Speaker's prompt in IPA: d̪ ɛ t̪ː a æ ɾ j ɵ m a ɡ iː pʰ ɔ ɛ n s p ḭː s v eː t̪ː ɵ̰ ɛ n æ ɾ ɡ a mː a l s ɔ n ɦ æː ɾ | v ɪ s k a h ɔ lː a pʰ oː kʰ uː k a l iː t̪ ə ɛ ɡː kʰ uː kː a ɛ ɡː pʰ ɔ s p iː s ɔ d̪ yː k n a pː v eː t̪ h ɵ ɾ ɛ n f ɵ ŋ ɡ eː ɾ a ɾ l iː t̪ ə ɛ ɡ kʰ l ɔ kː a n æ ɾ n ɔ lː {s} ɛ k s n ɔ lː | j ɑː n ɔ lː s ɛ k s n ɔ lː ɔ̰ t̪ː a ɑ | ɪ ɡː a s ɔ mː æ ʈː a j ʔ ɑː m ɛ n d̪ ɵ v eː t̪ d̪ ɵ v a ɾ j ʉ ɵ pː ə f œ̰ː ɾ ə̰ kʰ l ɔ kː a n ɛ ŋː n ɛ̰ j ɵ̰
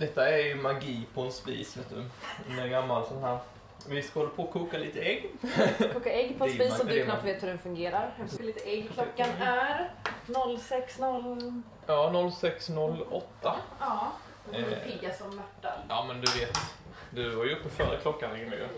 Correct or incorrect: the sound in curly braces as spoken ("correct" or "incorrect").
correct